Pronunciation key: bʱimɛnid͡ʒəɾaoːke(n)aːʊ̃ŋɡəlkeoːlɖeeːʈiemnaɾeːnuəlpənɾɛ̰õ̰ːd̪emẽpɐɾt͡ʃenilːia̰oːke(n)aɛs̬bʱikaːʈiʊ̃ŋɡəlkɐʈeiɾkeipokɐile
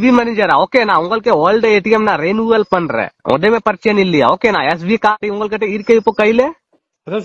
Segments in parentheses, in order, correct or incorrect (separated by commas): correct, correct